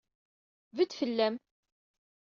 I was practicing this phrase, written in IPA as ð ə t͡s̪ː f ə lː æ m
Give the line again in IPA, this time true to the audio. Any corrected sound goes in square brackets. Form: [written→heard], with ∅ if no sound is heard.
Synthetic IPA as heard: [ð→v] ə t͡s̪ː f ə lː æ m